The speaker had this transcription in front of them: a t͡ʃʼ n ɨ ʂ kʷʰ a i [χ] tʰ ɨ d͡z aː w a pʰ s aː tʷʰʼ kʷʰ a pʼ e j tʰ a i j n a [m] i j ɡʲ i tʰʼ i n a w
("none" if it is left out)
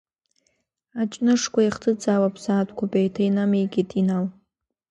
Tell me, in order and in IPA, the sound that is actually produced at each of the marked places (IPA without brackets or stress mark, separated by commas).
χ, m